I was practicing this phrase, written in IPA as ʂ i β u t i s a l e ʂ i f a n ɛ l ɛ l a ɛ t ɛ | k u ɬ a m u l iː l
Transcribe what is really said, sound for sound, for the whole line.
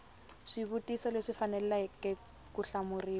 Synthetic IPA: ʂ i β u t i s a l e ʂ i f a n ɛ l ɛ l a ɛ k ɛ | k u ɬ a m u r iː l